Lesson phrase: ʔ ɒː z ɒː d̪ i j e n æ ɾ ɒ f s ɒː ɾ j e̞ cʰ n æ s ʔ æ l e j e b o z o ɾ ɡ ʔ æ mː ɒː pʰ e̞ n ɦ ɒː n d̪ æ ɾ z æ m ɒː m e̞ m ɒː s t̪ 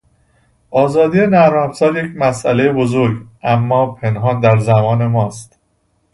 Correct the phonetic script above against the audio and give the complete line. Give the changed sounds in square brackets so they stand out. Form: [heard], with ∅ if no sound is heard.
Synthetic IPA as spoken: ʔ ɒː z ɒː d̪ i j e n æ ɾ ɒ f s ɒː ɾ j e̞ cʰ [m] æ s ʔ æ l e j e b o z o ɾ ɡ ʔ æ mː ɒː pʰ e̞ n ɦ ɒː n d̪ æ ɾ z æ m ɒː [n] e̞ m ɒː s t̪